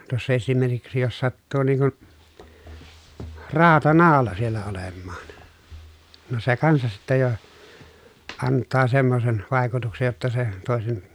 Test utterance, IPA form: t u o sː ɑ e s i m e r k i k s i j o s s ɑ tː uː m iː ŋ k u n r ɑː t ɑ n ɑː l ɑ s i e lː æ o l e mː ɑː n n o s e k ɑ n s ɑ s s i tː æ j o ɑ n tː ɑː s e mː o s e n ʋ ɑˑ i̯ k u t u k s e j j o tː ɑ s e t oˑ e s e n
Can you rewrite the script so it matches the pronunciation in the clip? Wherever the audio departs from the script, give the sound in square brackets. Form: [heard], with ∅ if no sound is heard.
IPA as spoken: t u o sː ɑ e s i m e r k i k s i j o s s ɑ tː uː [n] iː ŋ k u n r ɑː t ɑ n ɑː l ɑ s i e lː æ o l e mː ɑː n n o s e k ɑ n s ɑ s s i tː æ j o ɑ n tː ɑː s e mː o s e n ʋ ɑˑ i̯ k u t u k s e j j o tː ɑ s e t oˑ e s e n